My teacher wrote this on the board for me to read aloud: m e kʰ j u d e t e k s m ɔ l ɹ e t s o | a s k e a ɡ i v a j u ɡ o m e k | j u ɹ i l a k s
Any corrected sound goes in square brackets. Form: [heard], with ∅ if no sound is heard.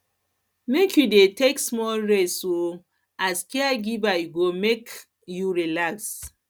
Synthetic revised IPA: m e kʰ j u d e t e k s m ɔ l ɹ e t s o | a s k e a ɡ i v a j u ɡ o m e k | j u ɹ i l a k s